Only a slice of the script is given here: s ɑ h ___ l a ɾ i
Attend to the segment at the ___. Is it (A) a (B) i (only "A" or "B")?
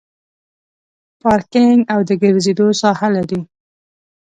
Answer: A